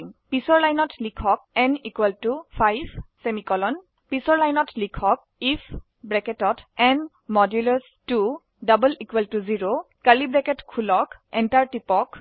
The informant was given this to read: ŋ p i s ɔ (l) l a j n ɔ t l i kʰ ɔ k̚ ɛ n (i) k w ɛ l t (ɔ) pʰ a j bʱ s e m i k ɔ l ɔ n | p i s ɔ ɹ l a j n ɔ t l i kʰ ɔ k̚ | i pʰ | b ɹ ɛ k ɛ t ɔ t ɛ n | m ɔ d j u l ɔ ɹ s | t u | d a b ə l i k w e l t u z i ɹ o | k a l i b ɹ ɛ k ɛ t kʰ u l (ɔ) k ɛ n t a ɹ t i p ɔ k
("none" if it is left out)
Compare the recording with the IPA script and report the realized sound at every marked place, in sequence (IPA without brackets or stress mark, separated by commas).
ɹ, i, u, ɔ